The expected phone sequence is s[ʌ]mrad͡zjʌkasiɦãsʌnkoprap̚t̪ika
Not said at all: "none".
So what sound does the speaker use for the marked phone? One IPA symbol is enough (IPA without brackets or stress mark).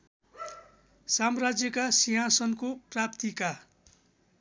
a